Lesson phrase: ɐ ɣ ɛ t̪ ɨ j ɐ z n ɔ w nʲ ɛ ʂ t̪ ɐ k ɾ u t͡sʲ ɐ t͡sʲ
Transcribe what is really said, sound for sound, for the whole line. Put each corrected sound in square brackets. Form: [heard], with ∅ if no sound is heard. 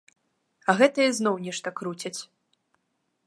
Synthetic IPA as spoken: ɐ ɣ ɛ t̪ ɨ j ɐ z n ɔ w nʲ ɛ ʂ t̪ ɐ k ɾ u t͡sʲ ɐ t͡sʲ